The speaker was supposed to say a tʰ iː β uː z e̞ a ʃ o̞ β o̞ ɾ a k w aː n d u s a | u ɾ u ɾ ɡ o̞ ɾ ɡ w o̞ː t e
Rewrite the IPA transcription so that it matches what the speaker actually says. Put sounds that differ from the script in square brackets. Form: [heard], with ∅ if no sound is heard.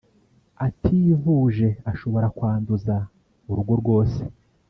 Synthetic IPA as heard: a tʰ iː [v] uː [ʒ] e̞ a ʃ o̞ β o̞ ɾ a k w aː n d u [z] a | u ɾ u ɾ ɡ o̞ ɾ ɡ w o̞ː [s] e